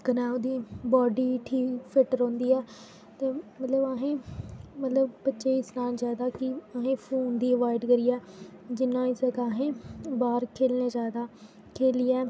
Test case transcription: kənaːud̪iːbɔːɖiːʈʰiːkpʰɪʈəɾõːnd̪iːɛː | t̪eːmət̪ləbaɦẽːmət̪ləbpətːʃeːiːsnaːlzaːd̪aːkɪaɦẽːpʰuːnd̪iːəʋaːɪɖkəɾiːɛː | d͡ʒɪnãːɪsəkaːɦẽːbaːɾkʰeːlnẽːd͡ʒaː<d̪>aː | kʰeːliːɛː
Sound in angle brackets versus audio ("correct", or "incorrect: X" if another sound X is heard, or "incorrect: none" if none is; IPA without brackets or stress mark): correct